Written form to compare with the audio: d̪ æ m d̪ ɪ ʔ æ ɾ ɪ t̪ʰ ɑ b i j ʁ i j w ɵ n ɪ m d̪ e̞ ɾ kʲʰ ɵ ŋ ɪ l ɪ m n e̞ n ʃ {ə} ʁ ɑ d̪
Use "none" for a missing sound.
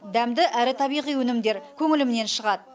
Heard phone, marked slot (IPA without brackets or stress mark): ə